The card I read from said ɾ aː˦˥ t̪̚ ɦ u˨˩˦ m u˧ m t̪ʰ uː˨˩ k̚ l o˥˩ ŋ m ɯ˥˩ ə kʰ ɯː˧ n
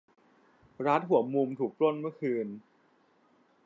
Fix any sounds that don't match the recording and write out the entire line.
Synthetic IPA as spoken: ɾ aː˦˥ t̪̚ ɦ u˨˩˦ m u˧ m t̪ʰ uː˨˩ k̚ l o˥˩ n m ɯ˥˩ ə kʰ ɯː˧ n